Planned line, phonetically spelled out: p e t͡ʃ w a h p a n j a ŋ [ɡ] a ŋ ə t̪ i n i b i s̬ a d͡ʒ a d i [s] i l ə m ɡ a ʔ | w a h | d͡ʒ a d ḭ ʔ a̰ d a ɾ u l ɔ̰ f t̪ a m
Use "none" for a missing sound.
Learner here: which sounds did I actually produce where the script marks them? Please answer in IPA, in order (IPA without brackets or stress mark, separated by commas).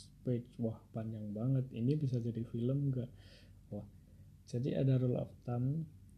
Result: b, f